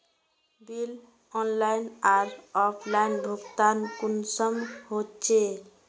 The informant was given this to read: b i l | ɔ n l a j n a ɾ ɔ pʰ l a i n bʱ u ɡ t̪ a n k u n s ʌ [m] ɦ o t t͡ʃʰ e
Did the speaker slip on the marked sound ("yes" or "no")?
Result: no